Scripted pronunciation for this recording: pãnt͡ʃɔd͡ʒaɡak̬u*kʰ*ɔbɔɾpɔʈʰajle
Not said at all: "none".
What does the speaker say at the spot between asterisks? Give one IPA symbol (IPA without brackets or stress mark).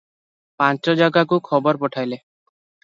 kʰ